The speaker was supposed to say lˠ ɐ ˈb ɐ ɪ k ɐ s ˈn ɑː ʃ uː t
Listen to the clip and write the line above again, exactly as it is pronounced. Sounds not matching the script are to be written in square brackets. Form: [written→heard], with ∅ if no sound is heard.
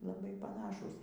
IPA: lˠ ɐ ˈb ɐ ɪ [k→p] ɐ [s→∅] ˈn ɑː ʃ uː [t→s]

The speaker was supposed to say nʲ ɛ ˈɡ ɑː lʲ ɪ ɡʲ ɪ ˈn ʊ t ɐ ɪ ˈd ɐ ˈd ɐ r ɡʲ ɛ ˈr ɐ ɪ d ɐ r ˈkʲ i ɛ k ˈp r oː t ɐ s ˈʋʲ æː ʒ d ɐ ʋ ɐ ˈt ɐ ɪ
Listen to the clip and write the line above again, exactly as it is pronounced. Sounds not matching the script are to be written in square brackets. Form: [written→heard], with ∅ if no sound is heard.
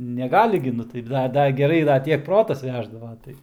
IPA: nʲ ɛ ˈɡ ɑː lʲ ɪ ɡʲ ɪ ˈn ʊ t ɐ ɪ ˈd ɐ ˈd ɐ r ɡʲ ɛ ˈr ɐ ɪ d ɐ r [ˈkʲ→ˈtʲ] i ɛ k ˈp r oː t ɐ s ˈʋʲ æː ʒ d ɐ ʋ ɐ ˈt ɐ ɪ

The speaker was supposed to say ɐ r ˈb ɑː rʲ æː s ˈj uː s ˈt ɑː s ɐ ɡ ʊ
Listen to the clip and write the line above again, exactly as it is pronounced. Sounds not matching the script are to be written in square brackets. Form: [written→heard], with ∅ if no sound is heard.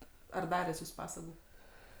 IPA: ɐ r [ˈb→ˈd] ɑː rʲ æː s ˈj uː s [ˈt→ˈp] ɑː s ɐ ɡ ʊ

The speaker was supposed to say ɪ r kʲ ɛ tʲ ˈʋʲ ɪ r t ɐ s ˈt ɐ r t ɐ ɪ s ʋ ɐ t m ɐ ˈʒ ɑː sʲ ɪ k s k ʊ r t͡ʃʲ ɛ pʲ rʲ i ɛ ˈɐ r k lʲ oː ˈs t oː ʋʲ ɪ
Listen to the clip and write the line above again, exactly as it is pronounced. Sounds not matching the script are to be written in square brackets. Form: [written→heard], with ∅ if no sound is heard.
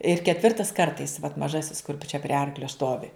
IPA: ɪ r kʲ ɛ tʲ ˈʋʲ ɪ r t ɐ s [ˈt→ˈk] ɐ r t ɐ ɪ s ʋ ɐ t m ɐ ˈʒ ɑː sʲ ɪ [k→∅] s k ʊ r t͡ʃʲ ɛ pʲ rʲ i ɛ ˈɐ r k lʲ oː ˈs t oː ʋʲ ɪ

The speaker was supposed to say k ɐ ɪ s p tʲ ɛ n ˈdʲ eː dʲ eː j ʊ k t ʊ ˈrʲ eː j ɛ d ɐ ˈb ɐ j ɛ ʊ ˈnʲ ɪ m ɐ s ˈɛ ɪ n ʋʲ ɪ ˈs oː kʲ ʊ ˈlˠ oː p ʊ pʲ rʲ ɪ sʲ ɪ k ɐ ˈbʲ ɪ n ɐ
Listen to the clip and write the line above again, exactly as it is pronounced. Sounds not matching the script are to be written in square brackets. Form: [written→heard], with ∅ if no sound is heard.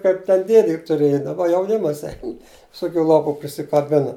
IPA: k ɐ ɪ [s→∅] p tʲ ɛ n ˈdʲ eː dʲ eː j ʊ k t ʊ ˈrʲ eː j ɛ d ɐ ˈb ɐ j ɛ ʊ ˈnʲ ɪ m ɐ s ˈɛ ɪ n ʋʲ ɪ ˈs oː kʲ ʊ ˈlˠ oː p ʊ pʲ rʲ ɪ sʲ ɪ k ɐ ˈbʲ ɪ n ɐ

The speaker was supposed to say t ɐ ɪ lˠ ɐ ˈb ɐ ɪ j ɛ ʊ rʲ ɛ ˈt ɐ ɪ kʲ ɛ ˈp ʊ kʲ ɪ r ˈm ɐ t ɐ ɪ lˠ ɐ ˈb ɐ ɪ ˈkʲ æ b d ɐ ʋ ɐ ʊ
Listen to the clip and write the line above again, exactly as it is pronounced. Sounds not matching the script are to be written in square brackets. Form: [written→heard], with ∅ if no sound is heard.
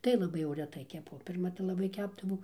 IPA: t ɐ ɪ lˠ ɐ ˈb ɐ ɪ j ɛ ʊ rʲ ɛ ˈt ɐ ɪ kʲ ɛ ˈp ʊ [kʲ→pʲ] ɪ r ˈm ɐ t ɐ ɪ lˠ ɐ ˈb ɐ ɪ ˈkʲ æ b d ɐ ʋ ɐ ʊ

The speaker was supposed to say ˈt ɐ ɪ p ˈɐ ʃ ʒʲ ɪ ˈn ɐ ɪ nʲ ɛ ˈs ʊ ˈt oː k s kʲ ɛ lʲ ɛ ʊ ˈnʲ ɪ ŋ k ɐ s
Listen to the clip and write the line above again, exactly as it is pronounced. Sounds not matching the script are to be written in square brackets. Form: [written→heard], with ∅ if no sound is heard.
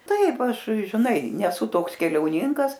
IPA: ˈt ɐ ɪ p ˈɐ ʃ ʒʲ ɪ ˈn ɐ ɪ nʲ ɛ ˈs ʊ ˈt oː k s kʲ ɛ lʲ ɛ ʊ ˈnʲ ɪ ŋ k ɐ s

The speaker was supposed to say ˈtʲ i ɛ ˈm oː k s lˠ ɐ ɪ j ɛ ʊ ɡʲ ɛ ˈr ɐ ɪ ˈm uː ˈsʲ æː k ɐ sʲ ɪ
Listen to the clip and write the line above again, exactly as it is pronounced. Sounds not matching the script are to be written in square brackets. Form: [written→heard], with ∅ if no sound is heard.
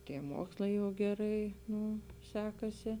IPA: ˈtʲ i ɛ ˈm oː k s lˠ ɐ ɪ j ɛ ʊ ɡʲ ɛ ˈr ɐ ɪ [ˈm→ˈn] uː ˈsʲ æː k ɐ sʲ ɪ

